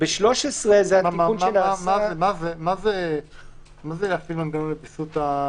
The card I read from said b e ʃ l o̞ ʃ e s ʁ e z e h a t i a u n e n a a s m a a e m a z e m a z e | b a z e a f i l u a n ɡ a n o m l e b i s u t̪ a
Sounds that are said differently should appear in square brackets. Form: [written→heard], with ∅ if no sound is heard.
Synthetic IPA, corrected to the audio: b e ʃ l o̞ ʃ e s ʁ e z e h a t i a u n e n a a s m a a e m a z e m a z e | [b→m] a z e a f i l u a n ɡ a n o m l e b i s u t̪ a